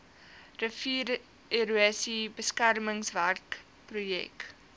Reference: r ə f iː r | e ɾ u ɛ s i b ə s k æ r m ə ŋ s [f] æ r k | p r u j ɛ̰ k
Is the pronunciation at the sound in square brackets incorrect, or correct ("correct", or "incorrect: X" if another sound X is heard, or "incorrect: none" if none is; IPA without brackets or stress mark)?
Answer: incorrect: v